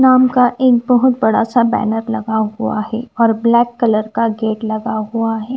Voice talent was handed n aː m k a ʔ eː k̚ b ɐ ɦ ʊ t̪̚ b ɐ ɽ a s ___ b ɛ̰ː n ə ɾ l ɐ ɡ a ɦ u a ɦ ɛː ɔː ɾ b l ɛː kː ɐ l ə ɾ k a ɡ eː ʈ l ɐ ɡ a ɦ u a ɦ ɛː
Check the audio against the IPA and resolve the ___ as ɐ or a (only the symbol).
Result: a